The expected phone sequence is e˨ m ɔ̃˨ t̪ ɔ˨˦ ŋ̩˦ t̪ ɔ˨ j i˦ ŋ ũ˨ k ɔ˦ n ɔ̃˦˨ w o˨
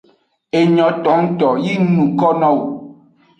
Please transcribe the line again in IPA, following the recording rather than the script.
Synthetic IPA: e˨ ɲ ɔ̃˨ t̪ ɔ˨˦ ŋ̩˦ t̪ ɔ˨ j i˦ n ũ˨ k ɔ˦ n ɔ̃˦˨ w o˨